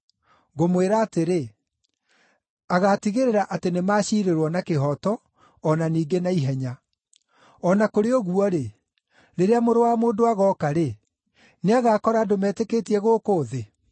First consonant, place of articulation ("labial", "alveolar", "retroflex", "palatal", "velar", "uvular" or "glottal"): velar